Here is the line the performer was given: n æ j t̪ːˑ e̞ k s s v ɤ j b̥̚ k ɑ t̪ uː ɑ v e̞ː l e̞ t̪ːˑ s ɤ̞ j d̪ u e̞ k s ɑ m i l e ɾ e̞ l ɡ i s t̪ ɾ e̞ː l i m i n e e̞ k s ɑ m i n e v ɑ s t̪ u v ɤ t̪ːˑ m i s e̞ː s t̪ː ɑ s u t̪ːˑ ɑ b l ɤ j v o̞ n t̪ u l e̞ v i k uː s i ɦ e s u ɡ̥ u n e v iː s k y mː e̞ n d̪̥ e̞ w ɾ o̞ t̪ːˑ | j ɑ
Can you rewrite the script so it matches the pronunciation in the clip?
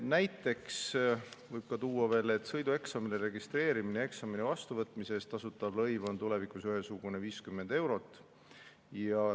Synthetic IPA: n æ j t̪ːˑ e̞ k s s v ɤ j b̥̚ k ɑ t̪ uː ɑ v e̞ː l e̞ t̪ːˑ s ɤ̞ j d̪ u e̞ k s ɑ m i l e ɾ e̞ ɡ i s t̪ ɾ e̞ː ɾ i m i n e e̞ k s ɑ m i n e v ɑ s t̪ u v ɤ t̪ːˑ m i s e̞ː s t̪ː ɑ s u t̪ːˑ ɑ b l ɤ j v o̞ n t̪ u l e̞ v i k u s y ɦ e s u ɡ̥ u n e v iː s k y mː e̞ n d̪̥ e̞ w ɾ o̞ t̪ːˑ | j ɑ